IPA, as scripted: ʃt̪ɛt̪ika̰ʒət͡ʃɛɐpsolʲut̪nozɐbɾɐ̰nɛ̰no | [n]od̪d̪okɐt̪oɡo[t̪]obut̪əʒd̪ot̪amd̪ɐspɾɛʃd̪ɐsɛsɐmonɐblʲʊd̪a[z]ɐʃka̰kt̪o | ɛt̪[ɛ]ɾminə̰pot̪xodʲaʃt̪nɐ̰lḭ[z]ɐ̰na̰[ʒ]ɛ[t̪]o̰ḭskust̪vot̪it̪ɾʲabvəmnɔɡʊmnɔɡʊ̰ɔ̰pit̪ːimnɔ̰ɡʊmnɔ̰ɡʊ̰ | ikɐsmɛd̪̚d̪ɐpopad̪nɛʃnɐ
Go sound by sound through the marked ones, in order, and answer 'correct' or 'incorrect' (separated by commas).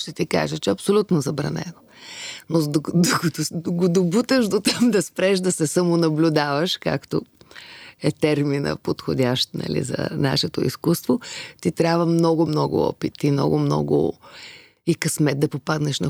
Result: correct, incorrect, incorrect, correct, correct, incorrect, correct